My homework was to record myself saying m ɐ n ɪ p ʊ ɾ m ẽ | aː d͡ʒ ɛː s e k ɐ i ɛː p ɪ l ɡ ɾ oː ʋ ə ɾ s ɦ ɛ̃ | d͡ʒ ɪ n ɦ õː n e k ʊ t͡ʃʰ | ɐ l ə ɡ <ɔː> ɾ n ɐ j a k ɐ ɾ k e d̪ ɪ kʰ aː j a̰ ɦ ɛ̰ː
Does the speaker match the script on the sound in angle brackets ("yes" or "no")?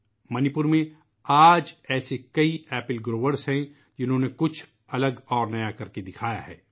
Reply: yes